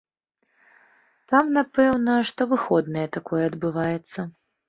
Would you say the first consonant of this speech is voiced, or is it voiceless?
voiceless